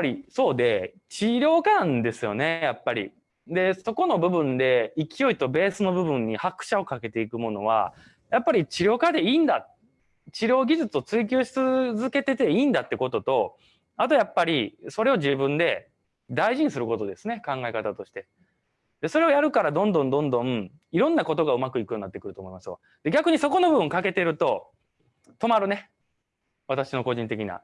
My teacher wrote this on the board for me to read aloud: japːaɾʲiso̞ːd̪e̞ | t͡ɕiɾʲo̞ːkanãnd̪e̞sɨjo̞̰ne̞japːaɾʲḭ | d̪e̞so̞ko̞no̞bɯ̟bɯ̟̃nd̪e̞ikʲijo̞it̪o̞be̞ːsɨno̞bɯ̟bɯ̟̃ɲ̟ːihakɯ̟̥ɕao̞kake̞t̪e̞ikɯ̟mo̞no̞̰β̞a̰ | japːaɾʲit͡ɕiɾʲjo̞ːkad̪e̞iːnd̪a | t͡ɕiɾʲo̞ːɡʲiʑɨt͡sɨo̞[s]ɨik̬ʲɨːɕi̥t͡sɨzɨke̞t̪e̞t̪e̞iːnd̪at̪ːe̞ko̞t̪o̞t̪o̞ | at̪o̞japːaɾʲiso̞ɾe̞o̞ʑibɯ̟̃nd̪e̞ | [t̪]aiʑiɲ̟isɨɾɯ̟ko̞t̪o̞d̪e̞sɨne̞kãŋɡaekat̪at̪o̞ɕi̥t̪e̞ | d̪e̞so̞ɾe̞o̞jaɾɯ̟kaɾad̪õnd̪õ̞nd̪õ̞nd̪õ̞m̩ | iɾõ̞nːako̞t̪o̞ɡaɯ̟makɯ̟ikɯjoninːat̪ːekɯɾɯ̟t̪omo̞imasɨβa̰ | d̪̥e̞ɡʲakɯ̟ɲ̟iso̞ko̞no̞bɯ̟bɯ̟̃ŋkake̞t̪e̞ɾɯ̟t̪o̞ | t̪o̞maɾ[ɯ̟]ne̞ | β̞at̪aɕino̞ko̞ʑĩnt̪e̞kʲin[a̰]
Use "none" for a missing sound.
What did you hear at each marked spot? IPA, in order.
t͡s, d̪, ɯ̟, a̰

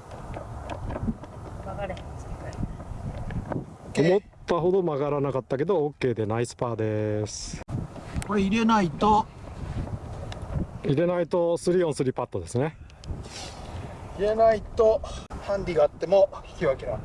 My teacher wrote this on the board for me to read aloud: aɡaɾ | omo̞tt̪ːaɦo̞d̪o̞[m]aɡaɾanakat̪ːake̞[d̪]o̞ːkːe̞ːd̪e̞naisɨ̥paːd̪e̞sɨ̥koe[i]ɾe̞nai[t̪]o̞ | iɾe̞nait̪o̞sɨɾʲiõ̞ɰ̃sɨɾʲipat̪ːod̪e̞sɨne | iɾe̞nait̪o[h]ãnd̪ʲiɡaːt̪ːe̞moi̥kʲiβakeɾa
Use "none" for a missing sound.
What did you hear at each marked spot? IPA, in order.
m, d̪, i, t̪, h

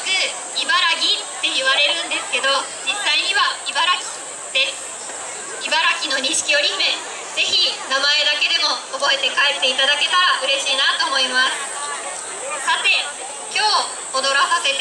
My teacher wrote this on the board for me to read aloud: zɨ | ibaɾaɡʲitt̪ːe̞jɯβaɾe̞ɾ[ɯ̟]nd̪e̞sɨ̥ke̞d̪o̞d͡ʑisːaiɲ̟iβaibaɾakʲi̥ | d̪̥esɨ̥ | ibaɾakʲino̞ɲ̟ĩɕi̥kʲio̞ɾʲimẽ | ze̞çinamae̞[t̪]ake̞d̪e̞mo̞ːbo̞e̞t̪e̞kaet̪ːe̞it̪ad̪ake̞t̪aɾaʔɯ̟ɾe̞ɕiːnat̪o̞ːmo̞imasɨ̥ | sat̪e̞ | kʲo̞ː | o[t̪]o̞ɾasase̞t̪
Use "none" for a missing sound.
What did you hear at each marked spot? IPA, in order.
ɯ̟̃, d̪, d̪

